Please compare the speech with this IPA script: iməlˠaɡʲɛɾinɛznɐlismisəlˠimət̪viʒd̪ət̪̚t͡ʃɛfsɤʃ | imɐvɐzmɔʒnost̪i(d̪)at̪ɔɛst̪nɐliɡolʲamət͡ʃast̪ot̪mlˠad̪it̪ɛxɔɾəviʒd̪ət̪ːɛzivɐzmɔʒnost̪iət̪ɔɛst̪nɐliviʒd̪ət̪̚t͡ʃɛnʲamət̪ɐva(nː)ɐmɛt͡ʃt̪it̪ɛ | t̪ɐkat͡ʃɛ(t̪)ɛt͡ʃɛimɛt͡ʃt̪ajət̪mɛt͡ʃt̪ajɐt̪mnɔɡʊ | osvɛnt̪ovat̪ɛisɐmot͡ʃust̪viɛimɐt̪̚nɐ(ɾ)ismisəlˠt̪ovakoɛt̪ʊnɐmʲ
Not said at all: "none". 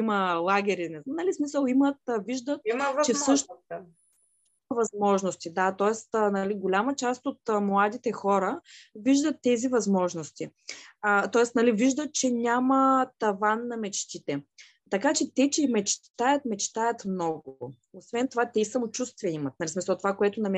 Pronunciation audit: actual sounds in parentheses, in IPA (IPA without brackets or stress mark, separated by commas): d̪, nː, t̪, l